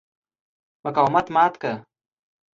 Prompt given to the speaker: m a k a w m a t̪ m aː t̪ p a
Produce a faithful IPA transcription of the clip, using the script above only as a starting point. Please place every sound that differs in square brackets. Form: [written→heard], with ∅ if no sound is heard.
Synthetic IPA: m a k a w m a t̪ m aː t̪ [p→k] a